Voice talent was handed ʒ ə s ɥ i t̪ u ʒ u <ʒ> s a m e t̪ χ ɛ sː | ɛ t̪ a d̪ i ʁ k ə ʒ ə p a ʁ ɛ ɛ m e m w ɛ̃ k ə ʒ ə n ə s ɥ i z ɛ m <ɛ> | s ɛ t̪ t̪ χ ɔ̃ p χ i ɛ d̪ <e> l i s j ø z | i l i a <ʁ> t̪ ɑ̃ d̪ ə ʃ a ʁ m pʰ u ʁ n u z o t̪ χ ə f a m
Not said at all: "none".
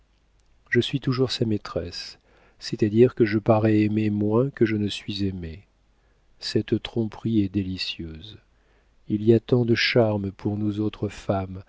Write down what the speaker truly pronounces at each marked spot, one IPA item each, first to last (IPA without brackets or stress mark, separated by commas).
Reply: ʁ, e, e, none